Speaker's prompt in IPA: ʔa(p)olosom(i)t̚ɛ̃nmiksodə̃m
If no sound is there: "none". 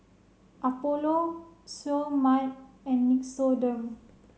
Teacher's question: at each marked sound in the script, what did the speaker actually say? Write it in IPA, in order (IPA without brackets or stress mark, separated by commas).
p, a